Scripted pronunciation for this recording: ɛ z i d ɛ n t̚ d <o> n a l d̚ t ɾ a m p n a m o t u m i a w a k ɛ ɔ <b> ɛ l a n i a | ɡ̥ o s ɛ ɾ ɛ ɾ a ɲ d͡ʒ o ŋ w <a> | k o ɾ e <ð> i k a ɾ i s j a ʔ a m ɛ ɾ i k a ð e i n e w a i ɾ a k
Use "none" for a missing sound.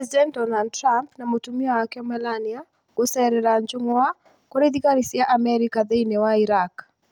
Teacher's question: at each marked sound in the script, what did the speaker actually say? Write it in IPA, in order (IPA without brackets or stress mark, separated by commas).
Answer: ɔ, m, a, ð